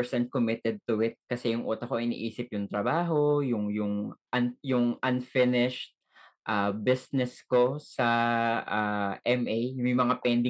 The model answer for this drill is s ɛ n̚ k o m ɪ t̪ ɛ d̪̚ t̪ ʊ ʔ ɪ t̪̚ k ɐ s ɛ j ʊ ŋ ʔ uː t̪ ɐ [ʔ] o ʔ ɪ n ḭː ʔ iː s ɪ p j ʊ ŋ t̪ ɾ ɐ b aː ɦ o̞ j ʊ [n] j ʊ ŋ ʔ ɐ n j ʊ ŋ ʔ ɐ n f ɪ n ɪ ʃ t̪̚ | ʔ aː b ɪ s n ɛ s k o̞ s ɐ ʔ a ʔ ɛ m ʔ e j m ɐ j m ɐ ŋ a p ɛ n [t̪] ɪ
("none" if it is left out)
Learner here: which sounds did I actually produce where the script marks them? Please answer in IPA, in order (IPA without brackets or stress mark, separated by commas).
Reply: k, ŋ, d̪